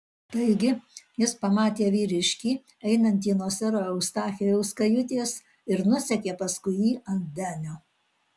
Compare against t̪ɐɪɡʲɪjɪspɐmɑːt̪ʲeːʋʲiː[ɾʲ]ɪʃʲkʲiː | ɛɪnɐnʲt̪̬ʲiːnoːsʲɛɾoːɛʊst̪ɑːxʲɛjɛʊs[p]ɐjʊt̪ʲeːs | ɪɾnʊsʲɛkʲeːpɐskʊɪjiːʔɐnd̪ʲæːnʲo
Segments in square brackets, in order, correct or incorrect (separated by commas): correct, incorrect